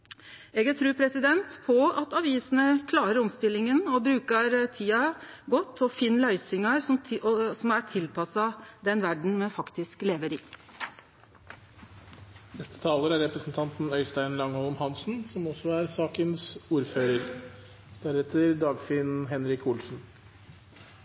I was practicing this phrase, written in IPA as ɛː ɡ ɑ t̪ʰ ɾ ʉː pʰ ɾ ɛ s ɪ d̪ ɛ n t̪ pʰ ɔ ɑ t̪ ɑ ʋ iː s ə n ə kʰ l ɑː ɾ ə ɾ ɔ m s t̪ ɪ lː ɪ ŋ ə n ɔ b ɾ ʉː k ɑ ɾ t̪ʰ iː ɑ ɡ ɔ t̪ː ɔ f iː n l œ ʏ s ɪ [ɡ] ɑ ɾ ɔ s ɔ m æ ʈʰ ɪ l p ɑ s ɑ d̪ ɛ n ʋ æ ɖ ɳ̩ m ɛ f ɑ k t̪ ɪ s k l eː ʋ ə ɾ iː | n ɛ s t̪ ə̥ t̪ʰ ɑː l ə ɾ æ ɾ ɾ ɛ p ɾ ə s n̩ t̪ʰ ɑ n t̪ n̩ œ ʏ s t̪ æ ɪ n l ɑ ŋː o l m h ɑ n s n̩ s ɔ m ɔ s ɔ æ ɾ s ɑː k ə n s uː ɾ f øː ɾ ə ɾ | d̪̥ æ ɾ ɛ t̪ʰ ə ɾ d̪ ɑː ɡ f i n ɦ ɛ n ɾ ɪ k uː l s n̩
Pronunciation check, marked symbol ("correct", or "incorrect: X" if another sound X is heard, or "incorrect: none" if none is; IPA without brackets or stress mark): incorrect: ŋ